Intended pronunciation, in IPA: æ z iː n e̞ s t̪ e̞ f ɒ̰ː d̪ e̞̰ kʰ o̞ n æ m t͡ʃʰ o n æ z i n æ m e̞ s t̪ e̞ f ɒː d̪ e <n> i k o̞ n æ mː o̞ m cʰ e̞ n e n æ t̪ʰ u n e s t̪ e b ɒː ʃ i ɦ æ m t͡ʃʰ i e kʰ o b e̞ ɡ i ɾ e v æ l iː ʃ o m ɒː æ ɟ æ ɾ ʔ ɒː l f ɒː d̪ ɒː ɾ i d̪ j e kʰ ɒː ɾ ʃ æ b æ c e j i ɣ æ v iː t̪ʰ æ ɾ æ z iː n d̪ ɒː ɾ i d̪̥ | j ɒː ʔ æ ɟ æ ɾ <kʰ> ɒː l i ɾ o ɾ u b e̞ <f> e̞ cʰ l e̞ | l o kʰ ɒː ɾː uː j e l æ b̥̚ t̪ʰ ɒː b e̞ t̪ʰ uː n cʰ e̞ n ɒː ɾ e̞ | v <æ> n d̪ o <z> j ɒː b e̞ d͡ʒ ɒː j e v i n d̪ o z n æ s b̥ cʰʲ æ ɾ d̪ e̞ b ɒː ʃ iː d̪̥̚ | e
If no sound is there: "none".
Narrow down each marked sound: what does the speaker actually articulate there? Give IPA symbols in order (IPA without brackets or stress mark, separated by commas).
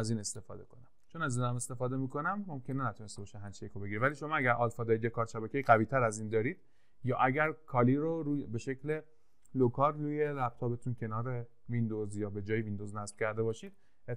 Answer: m, kʰ, ʃ, i, z